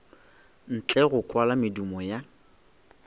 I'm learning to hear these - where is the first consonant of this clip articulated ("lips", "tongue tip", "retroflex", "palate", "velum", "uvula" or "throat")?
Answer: tongue tip